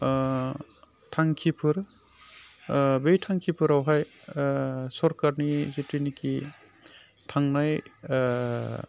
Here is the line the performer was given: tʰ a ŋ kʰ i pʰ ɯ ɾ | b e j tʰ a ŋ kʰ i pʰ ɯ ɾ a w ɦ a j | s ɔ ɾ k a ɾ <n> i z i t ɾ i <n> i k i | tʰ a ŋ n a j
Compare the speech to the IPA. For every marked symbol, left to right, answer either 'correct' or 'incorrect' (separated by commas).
correct, correct